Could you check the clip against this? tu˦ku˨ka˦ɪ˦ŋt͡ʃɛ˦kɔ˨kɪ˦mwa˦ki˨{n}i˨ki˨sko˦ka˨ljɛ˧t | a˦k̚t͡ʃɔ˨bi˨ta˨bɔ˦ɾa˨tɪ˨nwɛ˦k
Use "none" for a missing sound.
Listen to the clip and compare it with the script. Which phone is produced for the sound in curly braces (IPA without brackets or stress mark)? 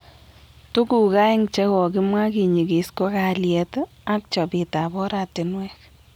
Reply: ɲ